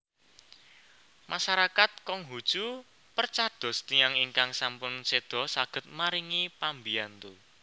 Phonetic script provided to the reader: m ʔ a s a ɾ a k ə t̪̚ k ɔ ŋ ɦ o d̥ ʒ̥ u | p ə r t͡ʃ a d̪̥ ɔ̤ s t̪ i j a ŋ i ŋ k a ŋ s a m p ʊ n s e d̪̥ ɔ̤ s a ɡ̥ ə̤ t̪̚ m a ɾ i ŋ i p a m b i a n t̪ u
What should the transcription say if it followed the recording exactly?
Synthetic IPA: m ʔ a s a ɾ a k a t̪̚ k ɔ ŋ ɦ u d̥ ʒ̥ u | p ə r t͡ʃ a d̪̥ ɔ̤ s t̪ i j a ŋ i ŋ k a ŋ s a m p ʊ n s e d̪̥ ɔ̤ s a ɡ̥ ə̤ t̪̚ m a ɾ i ŋ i p a m b i a n t̪ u